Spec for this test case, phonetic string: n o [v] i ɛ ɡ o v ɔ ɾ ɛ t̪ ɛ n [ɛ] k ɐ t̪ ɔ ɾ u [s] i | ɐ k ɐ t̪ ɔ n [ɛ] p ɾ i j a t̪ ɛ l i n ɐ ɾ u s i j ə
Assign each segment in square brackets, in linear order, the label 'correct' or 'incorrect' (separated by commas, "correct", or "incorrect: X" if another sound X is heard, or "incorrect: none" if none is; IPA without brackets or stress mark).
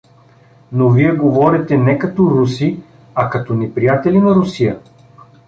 correct, correct, correct, correct